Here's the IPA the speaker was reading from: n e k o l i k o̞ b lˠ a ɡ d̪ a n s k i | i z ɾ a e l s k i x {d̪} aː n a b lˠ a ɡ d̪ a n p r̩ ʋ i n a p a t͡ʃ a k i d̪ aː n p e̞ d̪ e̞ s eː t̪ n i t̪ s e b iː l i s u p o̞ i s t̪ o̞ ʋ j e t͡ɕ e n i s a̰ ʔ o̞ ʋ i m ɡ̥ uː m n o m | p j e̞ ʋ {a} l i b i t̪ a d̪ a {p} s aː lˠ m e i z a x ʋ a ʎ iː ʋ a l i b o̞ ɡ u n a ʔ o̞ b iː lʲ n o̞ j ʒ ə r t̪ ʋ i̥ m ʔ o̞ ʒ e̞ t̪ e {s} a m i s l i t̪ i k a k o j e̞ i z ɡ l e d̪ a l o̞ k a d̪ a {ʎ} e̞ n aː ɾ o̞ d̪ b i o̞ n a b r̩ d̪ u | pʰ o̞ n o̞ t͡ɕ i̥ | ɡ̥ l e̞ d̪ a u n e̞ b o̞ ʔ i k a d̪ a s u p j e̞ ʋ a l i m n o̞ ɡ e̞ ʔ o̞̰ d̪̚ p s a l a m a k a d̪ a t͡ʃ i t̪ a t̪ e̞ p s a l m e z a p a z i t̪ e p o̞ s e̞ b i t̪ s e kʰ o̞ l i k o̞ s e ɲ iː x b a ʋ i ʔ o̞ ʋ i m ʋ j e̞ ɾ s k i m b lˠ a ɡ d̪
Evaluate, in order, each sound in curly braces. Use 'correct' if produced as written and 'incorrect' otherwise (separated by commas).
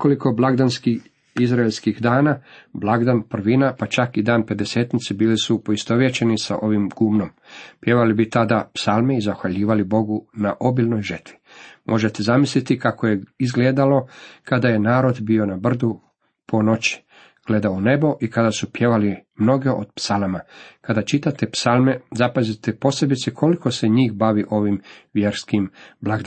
correct, correct, correct, incorrect, incorrect